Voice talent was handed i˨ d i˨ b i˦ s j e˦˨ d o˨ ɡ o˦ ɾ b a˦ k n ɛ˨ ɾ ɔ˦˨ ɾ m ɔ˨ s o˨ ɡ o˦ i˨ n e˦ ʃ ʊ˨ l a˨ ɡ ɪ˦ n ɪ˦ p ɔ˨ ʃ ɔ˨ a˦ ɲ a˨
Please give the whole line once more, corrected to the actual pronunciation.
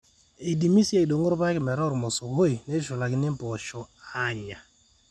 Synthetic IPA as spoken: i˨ d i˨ m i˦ s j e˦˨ d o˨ ŋ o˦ ɾ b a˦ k m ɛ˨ ɾ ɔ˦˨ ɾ m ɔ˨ s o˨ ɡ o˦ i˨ n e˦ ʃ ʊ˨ l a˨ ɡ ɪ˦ n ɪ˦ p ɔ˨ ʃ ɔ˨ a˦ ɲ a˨